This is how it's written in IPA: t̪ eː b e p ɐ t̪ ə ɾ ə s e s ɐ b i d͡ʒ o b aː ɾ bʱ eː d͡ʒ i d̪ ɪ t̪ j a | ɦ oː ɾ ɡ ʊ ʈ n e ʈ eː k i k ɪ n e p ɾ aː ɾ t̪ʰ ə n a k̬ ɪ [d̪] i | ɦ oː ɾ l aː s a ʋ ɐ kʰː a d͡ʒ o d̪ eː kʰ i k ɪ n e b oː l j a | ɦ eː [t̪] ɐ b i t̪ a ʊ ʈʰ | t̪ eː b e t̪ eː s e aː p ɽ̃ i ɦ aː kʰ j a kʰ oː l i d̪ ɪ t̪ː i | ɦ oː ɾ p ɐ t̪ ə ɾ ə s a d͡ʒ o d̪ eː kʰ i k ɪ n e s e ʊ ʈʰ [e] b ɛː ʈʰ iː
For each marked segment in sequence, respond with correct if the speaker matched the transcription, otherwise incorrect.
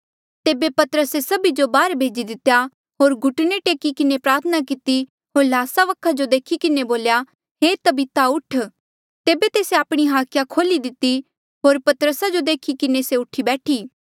incorrect: t̪, correct, incorrect: i

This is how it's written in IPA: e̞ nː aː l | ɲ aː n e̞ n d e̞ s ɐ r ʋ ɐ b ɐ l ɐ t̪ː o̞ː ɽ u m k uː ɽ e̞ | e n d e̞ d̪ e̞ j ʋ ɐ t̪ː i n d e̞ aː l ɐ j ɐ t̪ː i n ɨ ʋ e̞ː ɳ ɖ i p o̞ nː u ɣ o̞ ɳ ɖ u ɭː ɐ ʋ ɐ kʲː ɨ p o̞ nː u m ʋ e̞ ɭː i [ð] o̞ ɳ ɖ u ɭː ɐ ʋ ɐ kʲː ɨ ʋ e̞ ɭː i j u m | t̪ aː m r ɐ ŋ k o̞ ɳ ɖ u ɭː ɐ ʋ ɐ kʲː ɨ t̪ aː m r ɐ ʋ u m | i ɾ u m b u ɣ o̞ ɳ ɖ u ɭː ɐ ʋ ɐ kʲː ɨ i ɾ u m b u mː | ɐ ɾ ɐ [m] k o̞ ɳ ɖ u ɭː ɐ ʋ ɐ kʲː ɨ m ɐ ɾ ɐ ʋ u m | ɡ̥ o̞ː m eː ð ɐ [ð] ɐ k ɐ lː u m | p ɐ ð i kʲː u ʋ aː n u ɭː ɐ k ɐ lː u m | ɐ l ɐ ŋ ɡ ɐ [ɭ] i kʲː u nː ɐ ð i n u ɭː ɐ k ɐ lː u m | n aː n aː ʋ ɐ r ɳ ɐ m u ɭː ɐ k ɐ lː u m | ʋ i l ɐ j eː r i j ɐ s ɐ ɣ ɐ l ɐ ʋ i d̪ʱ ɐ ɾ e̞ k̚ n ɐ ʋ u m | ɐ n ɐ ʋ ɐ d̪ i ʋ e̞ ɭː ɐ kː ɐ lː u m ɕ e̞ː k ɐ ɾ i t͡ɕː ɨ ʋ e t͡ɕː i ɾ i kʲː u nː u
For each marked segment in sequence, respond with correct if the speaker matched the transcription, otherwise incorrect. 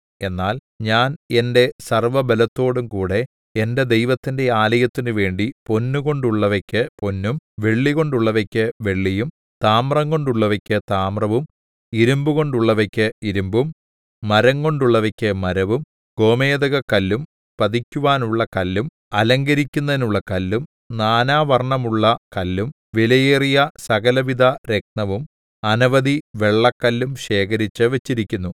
incorrect: ɣ, incorrect: ŋ, incorrect: ɣ, incorrect: ɾ

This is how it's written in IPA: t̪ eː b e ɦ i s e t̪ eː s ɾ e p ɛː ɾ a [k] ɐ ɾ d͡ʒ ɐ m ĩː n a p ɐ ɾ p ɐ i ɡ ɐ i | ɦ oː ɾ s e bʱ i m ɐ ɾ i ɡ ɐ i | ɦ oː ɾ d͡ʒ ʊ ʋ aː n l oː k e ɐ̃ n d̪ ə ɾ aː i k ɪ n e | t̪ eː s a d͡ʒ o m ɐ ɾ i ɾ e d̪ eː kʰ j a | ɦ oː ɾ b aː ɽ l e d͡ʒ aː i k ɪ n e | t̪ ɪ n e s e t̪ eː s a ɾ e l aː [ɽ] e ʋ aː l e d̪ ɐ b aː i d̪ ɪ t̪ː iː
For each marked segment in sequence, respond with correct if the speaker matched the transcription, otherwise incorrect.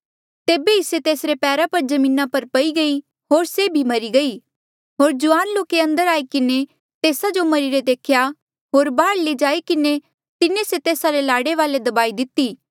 incorrect: p, correct

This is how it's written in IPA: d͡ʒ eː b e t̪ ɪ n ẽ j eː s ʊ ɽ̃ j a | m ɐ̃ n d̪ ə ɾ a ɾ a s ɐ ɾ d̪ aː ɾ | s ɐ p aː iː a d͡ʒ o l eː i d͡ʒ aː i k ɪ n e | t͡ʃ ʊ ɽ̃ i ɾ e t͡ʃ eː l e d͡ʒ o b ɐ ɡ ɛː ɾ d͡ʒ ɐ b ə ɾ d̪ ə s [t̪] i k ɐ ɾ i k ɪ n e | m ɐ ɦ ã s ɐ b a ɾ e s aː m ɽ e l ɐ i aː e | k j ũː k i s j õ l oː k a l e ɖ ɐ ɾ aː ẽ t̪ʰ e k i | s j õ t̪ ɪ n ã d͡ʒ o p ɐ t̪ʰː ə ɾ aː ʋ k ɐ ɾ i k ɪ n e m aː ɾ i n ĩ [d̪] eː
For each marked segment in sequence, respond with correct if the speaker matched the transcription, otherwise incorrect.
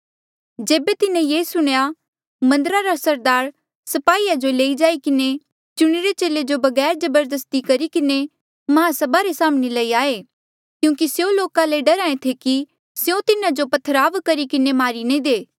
correct, correct

